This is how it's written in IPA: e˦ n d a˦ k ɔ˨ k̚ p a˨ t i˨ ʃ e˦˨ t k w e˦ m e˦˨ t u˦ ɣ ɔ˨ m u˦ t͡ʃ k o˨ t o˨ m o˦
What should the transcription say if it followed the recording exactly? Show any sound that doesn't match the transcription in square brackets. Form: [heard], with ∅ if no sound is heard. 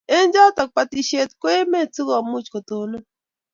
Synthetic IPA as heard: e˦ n [d͡ʒ] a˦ [t] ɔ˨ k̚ p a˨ t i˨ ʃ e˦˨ t k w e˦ m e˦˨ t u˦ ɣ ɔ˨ m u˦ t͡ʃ k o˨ t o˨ [n] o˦

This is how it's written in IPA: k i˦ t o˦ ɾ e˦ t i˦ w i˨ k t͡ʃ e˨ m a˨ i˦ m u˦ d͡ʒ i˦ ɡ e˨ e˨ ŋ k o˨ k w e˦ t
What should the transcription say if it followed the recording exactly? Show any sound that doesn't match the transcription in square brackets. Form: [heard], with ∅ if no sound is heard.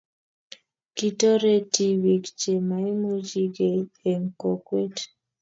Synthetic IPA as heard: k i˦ t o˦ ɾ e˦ t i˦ w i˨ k t͡ʃ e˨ m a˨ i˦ m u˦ d͡ʒ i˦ ɡ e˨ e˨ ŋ k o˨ k w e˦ t

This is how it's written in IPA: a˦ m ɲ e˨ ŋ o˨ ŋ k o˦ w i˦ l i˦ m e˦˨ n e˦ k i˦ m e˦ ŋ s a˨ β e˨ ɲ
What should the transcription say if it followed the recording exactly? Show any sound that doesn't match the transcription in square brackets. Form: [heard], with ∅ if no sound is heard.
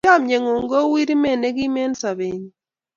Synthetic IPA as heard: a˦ m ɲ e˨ ŋ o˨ ŋ [ɡ] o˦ w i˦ [ɾ] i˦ m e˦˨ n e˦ [ɡ] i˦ m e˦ [n] s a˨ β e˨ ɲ

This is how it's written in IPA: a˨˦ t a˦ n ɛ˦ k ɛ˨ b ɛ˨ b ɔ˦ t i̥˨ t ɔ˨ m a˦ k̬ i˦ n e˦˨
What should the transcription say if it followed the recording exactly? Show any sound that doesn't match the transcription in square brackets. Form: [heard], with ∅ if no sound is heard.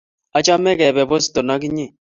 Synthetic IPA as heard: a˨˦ [t͡ʃ] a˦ [m] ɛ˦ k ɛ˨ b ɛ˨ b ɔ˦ [s] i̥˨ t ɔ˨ [n] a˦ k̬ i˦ [ɲ] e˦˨

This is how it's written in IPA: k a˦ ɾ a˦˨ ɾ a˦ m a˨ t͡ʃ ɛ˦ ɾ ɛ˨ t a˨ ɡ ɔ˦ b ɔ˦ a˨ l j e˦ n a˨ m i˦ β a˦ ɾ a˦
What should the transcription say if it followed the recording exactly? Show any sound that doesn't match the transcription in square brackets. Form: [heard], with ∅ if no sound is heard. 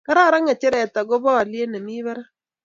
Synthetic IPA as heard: k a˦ ɾ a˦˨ ɾ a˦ [ŋ] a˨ t͡ʃ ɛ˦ ɾ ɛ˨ t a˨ ɡ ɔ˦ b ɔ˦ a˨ l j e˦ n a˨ m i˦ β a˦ ɾ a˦

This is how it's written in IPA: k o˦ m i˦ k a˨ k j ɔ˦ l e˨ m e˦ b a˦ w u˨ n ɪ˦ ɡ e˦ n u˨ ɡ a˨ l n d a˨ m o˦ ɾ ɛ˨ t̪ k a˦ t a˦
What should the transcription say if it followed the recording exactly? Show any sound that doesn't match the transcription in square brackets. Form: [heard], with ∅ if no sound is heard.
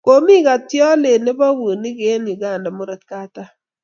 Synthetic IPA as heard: k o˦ m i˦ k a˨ [t] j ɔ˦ l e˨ [n] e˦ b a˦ w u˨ n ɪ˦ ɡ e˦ n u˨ ɡ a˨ [∅] n d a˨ m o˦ ɾ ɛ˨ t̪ k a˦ t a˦

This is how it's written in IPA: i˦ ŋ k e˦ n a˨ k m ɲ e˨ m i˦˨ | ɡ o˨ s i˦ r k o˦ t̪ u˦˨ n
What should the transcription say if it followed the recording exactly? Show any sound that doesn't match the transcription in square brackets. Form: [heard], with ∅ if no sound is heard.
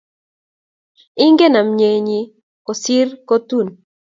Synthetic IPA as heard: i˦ ŋ [ɡ] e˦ n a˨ [∅] m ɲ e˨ [ɲ] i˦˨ | [k] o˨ s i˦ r k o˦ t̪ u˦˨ n

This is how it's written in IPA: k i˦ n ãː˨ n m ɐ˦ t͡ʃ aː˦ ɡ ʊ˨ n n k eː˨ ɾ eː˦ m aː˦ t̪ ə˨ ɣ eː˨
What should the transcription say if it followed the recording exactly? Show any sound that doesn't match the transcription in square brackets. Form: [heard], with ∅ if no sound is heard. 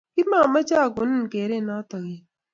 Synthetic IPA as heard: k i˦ [m] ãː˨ [∅] m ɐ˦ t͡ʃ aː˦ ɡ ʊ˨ n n k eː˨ ɾ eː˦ [n] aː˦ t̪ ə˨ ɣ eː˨

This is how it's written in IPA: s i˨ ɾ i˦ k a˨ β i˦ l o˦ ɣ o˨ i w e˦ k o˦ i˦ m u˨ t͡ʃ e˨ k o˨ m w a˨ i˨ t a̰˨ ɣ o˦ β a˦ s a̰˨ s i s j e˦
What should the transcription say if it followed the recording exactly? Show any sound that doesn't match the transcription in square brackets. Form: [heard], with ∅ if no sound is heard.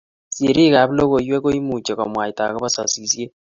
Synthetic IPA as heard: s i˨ ɾ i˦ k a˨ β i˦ l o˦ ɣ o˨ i w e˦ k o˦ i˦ m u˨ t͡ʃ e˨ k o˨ m w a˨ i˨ t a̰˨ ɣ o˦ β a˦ s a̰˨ s i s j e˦

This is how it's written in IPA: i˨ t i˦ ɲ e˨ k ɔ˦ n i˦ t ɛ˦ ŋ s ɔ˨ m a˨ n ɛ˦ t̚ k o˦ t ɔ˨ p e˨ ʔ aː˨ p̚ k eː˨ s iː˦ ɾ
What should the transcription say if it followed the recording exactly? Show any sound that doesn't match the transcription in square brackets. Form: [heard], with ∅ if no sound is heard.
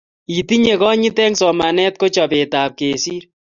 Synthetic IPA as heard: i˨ t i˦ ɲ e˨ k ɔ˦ [ɲ] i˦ t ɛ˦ ŋ s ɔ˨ m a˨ n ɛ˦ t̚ k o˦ [t͡ʃ] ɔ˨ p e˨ [t] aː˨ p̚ k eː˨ s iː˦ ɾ

